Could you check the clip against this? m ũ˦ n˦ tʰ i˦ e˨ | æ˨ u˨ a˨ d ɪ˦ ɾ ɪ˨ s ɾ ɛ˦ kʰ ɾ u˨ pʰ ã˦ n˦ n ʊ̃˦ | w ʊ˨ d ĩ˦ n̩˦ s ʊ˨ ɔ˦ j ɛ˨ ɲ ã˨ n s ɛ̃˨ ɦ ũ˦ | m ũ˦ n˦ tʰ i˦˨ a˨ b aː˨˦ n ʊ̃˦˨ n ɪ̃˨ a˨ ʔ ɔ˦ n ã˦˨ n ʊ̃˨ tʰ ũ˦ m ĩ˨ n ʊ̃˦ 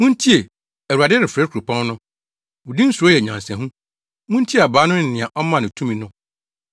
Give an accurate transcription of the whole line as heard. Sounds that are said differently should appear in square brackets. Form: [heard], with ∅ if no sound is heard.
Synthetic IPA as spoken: m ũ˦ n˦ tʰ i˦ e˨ | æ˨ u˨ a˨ d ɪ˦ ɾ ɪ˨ [f] ɾ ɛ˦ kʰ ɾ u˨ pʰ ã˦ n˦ n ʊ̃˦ | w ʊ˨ d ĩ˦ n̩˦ s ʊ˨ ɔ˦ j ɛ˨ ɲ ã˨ n s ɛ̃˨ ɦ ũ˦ | m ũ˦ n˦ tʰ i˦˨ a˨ b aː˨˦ n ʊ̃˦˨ n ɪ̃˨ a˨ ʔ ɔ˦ [m] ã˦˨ n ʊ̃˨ tʰ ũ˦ m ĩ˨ n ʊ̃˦

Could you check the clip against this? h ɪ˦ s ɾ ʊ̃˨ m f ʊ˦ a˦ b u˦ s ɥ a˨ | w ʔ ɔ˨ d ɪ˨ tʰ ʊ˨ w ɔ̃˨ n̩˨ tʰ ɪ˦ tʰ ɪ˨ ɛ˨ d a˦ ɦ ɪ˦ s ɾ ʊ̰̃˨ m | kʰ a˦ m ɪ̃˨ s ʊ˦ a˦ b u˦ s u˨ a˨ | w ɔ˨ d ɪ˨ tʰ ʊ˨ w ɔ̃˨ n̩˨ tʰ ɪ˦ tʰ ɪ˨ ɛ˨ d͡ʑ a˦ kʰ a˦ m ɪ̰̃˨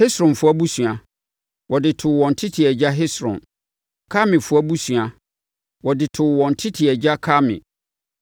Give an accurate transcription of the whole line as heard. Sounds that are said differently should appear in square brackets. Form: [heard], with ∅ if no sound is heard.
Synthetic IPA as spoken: h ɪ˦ s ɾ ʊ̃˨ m f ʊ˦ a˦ b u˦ s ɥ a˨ | w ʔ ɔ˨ d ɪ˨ tʰ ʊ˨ w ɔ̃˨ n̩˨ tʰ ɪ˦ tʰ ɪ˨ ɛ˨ [d͡ʑ] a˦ ɦ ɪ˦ s ɾ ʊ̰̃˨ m | kʰ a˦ m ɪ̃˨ [f] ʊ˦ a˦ b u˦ s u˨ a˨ | w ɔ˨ d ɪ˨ tʰ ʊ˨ w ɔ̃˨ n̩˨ tʰ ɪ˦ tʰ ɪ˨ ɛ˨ d͡ʑ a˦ kʰ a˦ m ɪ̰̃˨

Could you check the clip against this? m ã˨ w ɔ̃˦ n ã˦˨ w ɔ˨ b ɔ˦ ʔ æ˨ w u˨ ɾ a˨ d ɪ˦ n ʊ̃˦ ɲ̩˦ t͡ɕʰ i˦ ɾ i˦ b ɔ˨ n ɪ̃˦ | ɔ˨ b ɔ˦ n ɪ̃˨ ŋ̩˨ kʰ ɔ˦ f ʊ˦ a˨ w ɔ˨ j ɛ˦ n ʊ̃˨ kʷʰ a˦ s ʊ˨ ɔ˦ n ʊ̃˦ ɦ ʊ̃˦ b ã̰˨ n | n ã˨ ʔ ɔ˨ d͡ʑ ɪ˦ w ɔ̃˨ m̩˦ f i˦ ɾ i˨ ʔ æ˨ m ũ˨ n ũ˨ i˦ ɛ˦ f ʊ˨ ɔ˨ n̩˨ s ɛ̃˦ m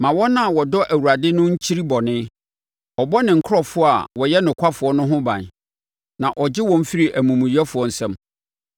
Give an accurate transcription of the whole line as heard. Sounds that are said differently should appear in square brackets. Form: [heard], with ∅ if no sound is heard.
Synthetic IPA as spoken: m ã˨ w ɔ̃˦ n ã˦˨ w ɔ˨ [d] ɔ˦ ʔ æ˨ w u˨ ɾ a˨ d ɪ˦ n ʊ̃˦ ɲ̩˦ t͡ɕʰ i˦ ɾ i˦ b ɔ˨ n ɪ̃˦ | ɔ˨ b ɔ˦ n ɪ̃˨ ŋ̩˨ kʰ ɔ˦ f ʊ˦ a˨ w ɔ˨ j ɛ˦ n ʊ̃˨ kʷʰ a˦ [f] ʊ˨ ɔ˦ n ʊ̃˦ ɦ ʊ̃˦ b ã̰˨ n | n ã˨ ʔ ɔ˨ d͡ʑ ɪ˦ w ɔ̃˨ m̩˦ f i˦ ɾ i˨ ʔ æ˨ m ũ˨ [m] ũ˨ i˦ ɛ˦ f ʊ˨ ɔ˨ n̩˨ s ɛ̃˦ m

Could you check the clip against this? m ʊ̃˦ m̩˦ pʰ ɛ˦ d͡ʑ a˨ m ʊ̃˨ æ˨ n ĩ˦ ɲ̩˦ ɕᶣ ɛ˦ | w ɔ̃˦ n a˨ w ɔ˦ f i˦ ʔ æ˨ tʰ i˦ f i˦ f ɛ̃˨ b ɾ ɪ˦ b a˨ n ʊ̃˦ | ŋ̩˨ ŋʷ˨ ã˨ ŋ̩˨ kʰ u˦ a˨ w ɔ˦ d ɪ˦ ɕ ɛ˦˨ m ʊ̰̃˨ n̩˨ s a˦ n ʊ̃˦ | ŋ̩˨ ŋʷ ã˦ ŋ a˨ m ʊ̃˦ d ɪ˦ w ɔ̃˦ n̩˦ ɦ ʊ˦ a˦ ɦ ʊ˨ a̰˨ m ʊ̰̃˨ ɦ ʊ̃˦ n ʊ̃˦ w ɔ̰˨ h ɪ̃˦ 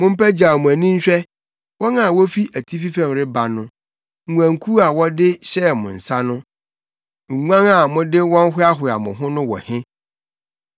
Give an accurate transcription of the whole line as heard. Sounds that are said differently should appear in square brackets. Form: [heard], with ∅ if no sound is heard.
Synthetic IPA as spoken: m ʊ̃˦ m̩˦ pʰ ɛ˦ d͡ʑ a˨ m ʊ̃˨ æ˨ n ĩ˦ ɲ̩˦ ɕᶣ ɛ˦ | w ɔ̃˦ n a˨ w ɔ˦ f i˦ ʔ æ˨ tʰ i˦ f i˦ f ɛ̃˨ [m] ɾ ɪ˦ b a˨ n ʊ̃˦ | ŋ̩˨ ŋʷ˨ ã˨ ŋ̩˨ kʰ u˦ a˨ w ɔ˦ d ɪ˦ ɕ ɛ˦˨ m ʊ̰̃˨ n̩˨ s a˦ n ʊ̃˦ | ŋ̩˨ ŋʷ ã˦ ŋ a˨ m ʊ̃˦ d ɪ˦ w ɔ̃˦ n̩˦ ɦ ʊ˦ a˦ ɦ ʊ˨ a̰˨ m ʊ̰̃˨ ɦ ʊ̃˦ n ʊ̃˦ w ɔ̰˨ h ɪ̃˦

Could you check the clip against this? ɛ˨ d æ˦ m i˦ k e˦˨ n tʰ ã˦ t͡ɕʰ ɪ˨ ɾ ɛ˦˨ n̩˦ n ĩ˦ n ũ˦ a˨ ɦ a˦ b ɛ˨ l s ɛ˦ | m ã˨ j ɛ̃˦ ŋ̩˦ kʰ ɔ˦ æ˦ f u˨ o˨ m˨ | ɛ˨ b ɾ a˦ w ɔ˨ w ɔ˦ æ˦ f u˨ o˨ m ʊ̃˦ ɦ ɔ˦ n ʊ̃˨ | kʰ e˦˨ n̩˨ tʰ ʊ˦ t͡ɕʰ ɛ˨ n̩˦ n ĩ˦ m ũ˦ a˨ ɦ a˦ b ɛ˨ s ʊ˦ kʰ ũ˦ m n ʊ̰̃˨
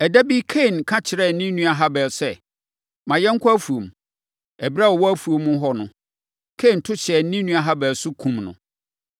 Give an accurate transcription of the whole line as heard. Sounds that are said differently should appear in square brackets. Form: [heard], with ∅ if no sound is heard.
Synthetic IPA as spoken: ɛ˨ d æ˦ [b] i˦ [kʰ] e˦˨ n [kʰ] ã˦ t͡ɕʰ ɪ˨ ɾ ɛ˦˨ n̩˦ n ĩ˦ n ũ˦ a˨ ɦ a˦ b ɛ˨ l s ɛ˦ | m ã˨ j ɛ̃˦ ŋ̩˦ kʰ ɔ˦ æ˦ f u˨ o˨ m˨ | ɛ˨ b ɾ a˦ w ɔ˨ w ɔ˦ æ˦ f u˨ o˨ m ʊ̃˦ ɦ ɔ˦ n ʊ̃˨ | kʰ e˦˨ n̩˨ tʰ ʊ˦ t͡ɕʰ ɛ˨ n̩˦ n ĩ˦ [n] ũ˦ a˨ ɦ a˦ b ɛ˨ s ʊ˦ kʰ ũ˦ m n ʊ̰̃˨

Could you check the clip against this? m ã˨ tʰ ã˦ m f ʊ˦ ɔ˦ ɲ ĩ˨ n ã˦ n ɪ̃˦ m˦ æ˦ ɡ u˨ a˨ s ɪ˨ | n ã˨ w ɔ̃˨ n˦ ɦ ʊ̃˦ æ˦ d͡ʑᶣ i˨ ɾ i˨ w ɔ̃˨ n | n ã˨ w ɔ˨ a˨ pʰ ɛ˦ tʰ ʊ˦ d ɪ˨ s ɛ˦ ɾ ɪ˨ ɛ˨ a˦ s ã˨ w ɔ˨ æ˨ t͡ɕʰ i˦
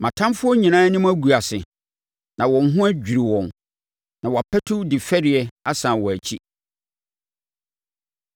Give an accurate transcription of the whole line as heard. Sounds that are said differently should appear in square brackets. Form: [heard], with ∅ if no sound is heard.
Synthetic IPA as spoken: m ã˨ tʰ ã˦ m f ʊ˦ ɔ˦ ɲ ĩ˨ n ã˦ n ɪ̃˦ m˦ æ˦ ɡ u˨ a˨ s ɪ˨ | n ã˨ w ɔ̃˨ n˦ ɦ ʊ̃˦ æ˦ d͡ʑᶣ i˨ ɾ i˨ w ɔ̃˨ n | n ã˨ w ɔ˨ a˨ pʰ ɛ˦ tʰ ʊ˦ d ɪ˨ [f] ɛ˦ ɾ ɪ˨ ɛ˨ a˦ s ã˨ w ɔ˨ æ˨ t͡ɕʰ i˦

